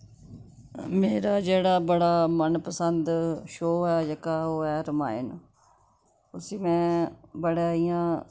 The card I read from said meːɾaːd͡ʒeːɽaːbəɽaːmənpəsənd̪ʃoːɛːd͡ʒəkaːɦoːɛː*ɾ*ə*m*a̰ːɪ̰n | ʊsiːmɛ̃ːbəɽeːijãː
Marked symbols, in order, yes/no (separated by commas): yes, yes